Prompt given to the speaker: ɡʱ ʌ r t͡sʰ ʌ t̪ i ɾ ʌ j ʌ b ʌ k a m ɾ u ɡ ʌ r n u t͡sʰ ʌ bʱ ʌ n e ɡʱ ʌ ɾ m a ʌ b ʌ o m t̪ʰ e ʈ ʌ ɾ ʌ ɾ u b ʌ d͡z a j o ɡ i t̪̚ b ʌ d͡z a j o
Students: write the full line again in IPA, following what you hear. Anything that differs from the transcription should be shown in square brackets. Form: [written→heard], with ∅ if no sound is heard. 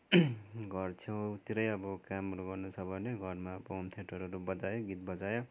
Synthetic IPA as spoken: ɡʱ ʌ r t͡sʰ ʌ t̪ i ɾ ʌ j ʌ b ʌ k a m ɾ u ɡ ʌ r n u t͡sʰ ʌ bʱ ʌ n e ɡʱ ʌ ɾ m a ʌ b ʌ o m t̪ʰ e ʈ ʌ ɾ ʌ ɾ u b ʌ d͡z a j o ɡ i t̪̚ b ʌ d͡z a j o

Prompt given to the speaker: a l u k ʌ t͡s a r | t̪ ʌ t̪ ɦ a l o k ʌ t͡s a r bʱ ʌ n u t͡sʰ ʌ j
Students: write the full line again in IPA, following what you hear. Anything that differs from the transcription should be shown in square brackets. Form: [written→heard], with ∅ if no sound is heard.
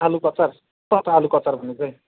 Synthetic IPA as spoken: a l u k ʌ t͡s a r | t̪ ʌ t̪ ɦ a l [o→u] k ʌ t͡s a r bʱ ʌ n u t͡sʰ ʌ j

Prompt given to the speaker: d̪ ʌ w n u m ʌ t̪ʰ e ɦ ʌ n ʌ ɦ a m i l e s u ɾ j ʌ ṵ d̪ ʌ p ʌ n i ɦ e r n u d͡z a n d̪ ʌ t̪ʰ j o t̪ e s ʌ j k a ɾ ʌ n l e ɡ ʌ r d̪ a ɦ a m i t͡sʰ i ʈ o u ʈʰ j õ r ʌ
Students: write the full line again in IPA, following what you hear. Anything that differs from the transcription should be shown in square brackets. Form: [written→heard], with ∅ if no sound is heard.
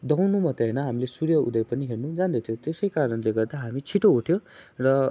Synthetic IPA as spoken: d̪ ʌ w n u m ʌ [t̪ʰ→t̪] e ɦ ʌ n ʌ ɦ a m i l e s u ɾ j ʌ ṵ d̪ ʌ p ʌ n i ɦ e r n u d͡z a n d̪ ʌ t̪ʰ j o t̪ e s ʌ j k a ɾ ʌ n l e ɡ ʌ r d̪ a ɦ a m i t͡sʰ i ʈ o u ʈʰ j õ r ʌ

